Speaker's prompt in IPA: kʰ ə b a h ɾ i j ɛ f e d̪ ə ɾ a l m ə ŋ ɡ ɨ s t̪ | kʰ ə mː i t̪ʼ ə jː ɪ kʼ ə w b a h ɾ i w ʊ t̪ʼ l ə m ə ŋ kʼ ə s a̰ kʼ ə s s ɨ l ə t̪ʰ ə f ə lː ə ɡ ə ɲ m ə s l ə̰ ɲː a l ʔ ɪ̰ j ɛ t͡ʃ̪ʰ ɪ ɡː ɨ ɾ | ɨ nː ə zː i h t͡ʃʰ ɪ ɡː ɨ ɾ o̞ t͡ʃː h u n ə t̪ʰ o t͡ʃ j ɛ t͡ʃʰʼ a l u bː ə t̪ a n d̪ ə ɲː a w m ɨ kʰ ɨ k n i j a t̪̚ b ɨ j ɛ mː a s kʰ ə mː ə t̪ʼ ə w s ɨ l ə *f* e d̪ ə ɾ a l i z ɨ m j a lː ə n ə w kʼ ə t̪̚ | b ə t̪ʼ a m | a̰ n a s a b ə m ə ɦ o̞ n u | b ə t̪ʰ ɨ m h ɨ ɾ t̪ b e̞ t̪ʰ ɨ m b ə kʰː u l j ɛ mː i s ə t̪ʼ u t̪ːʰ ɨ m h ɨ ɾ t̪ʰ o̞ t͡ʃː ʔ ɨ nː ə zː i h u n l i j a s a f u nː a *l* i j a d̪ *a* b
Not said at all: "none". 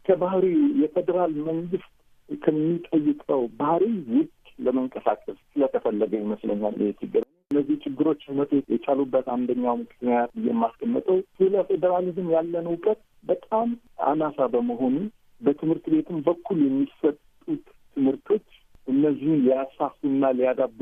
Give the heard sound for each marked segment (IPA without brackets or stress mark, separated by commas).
f, l, a